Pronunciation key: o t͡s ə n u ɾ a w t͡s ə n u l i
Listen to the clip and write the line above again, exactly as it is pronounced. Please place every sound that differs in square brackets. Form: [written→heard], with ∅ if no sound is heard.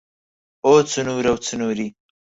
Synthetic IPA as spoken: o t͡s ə n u ɾ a w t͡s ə n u [l→ɾ] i